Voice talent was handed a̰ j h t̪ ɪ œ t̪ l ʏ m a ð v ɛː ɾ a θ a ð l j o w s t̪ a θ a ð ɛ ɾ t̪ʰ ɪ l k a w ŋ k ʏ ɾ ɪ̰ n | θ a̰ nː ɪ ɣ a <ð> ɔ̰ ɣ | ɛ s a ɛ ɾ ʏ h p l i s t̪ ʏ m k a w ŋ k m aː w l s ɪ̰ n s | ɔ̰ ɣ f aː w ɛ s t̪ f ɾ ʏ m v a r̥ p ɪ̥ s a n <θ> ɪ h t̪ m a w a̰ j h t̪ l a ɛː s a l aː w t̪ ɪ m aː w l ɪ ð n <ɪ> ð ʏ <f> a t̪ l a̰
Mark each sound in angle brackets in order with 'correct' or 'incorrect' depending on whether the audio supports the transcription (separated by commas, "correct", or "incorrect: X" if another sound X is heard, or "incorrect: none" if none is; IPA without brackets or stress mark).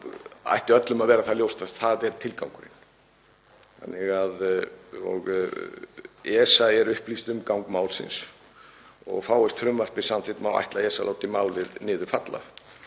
correct, correct, incorrect: ɪː, correct